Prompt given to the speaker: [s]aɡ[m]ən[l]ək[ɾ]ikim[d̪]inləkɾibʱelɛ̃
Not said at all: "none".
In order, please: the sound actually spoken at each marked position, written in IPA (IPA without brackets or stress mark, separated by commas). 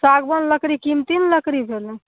s, b, l, ɾ, t̪